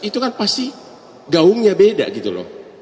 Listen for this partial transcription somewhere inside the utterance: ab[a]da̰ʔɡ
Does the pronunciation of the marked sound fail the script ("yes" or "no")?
yes